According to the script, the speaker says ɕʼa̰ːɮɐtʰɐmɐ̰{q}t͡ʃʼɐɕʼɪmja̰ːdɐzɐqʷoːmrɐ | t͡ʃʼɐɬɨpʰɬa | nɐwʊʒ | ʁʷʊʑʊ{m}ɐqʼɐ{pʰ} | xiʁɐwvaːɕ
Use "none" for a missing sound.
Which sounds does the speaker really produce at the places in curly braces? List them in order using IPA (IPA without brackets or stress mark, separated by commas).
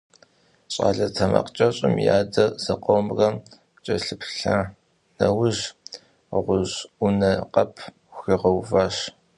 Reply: q, n, pʰ